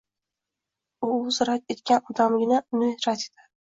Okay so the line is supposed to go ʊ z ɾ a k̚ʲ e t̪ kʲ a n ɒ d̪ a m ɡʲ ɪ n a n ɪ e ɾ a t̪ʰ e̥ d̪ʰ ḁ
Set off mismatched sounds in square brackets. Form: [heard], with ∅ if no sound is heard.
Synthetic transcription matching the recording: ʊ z ɾ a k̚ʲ e t̪ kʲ a n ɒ d̪ a m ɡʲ ɪ n a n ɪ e ɾ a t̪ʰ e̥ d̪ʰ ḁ